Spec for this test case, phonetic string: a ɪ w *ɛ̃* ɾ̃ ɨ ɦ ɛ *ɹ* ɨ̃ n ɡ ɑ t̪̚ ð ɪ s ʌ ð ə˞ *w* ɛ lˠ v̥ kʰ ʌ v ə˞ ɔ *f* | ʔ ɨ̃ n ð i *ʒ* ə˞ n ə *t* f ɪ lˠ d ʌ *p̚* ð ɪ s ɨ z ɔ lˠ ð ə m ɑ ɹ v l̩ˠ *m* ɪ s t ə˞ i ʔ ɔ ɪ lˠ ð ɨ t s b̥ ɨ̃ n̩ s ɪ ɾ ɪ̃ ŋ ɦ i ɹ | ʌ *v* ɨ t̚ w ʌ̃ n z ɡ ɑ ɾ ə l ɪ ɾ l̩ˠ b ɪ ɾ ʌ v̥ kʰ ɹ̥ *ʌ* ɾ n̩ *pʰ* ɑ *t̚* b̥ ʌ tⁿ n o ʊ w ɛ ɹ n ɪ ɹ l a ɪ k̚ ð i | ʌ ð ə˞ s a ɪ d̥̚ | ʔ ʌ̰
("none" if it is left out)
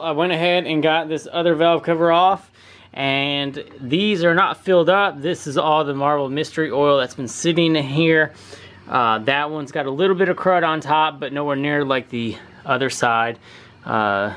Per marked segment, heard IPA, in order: ɛ̃, ɾ, v, f, z, t, p̚, m, ð, ʌ, tʰ, p̚

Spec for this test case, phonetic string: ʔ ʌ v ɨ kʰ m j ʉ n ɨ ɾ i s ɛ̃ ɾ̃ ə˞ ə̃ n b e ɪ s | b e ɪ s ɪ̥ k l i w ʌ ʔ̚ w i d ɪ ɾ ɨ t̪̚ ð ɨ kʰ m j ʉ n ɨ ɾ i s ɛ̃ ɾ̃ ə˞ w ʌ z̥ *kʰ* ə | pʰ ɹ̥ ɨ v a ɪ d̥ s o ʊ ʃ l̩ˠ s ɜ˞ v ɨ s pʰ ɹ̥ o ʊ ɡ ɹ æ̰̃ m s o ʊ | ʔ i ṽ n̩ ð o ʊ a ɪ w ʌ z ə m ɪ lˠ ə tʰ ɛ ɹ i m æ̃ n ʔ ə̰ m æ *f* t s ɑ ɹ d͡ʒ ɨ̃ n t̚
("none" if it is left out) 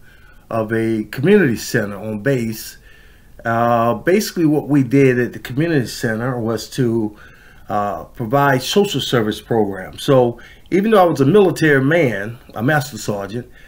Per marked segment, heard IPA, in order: tʰ, s

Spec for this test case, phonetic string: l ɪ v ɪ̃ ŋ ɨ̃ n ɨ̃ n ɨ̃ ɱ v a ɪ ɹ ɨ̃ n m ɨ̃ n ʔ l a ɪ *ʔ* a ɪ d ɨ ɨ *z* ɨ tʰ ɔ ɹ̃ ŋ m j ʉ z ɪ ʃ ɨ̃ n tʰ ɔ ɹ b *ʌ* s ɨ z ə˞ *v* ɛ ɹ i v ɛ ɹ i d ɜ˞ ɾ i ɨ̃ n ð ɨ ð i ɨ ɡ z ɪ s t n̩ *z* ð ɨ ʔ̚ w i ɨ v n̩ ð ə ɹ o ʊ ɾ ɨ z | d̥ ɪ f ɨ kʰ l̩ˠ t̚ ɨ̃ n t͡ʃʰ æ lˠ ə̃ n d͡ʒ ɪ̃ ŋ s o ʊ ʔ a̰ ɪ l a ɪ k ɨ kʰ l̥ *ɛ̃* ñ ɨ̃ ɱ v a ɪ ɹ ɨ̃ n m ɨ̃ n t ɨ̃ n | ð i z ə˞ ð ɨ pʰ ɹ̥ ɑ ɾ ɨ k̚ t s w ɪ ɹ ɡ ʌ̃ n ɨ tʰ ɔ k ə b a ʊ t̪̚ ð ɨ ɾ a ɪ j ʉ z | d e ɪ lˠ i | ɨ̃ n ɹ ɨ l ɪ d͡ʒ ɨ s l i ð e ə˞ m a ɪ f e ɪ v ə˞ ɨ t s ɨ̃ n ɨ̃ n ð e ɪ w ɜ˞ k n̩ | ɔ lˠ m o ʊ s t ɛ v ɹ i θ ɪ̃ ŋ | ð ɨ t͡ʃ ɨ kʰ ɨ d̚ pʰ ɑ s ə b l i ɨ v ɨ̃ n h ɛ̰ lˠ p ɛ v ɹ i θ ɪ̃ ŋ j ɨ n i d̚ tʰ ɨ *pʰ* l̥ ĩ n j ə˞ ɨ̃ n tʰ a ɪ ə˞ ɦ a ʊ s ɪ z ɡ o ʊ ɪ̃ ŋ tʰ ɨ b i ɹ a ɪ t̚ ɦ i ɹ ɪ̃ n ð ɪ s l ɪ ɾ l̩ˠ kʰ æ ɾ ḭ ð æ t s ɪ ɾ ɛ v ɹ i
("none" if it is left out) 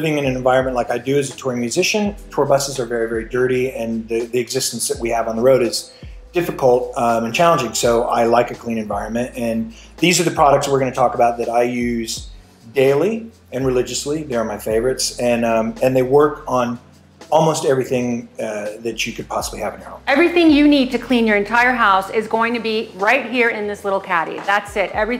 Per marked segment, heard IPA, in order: k, z, ʌ, v, s, ĩ, kʰ

